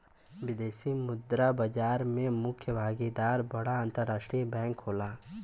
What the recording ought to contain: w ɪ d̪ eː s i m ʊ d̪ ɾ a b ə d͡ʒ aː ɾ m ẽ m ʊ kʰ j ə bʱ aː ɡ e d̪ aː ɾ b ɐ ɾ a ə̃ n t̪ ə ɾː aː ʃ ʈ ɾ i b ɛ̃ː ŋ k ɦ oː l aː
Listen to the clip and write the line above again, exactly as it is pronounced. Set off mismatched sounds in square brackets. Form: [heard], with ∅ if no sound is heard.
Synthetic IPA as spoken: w ɪ d̪ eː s i m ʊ d̪ ɾ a b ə d͡ʒ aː ɾ m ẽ m ʊ kʰ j ə bʱ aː ɡ e d̪ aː ɾ b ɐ [ɽ] a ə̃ n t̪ ə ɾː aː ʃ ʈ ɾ i b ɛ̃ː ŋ k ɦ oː l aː